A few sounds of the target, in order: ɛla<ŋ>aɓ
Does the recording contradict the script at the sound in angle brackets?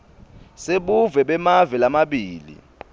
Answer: yes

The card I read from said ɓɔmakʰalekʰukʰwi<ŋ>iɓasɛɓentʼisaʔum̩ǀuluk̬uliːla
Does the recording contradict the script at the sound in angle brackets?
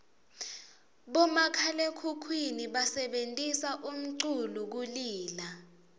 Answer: yes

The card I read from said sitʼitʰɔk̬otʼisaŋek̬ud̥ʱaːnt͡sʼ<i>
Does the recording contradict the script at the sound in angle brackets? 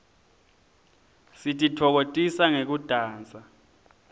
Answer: yes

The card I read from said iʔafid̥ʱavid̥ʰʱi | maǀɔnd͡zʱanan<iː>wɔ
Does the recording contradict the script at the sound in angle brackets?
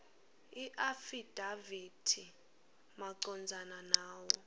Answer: yes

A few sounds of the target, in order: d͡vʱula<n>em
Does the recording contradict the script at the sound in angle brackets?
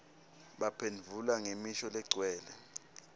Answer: yes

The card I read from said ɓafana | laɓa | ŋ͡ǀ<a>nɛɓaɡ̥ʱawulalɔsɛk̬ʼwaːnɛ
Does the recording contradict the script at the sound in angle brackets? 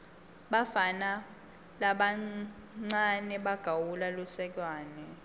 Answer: no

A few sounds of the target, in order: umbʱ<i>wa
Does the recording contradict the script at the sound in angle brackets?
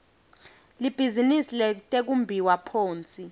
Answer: no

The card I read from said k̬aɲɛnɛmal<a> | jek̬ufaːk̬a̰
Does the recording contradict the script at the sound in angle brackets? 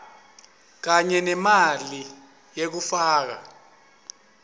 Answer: yes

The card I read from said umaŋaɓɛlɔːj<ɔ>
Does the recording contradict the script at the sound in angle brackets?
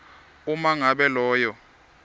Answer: no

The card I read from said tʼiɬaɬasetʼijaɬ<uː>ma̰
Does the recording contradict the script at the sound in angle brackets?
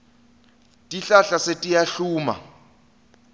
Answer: no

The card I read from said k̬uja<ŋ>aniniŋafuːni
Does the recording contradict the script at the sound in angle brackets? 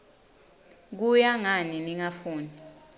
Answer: no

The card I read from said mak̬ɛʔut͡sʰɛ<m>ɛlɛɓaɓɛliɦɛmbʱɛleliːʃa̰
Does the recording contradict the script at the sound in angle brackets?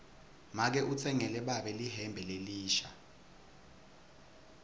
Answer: yes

